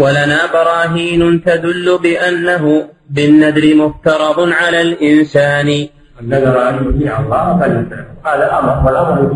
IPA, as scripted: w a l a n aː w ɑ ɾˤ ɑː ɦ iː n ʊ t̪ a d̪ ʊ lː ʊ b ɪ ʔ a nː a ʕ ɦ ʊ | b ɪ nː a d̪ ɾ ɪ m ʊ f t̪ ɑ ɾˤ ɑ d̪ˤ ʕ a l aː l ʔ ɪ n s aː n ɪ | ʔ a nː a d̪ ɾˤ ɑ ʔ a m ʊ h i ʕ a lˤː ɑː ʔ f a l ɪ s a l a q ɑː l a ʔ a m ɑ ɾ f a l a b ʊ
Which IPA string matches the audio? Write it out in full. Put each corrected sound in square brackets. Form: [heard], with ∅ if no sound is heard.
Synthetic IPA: w a l a n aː [b] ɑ ɾˤ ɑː ɦ iː n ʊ t̪ a d̪ ʊ lː ʊ b ɪ ʔ a nː a [∅] ɦ ʊ | b ɪ nː a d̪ ɾ ɪ m ʊ f t̪ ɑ ɾˤ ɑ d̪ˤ ʕ a l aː l ʔ ɪ n s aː n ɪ | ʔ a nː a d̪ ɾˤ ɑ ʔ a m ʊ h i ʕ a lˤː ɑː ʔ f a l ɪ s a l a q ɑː l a ʔ a m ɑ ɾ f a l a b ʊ